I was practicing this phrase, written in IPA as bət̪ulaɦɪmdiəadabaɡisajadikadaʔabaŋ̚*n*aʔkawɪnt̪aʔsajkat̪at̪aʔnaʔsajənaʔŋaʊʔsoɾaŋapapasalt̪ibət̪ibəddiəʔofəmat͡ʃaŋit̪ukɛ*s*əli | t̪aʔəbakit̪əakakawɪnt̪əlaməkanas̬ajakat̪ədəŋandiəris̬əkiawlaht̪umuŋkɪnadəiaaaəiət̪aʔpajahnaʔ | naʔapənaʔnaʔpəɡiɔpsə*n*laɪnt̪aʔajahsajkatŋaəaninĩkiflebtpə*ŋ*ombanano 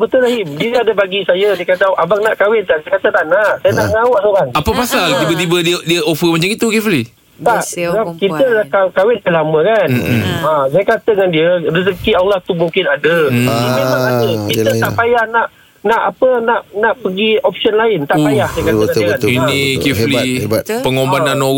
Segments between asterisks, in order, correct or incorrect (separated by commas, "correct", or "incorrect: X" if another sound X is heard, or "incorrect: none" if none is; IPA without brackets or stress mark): correct, incorrect: f, correct, correct